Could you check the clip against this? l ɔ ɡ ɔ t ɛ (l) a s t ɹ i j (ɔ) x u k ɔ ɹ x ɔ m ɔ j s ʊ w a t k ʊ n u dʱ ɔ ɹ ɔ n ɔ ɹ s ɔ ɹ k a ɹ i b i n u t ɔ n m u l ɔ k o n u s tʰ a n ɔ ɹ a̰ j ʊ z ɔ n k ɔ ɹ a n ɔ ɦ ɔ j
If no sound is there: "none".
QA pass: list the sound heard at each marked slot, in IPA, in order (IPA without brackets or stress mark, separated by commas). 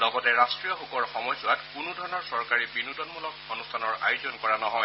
ɹ, ɔ